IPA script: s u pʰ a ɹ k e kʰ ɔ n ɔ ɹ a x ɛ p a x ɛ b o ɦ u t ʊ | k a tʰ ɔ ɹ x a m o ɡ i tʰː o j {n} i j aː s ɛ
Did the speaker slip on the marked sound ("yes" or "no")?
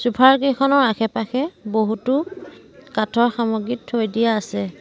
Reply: yes